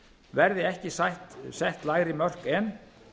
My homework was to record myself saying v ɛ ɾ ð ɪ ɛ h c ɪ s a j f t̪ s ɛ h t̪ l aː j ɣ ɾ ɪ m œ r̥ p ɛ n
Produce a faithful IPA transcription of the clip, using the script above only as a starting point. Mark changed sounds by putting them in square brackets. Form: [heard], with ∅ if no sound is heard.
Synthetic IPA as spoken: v ɛ ɾ ð ɪ ɛ h c ɪ s a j [h] t̪ s ɛ h t̪ l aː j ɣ ɾ ɪ m œ r̥ [k] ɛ n